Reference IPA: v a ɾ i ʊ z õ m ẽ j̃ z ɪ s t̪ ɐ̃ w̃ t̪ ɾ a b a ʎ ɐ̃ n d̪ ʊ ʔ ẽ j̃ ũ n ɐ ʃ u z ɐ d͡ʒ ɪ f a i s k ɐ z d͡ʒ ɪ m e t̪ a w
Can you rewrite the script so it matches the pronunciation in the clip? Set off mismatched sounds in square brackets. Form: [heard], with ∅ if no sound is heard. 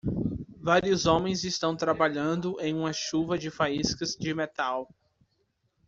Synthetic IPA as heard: v a ɾ i ʊ z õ m ẽ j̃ z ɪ s t̪ ɐ̃ w̃ t̪ ɾ a b a ʎ ɐ̃ n d̪ ʊ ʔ ẽ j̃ ũ [m] ɐ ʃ u [v] ɐ d͡ʒ ɪ f a i s k ɐ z d͡ʒ ɪ m e t̪ a w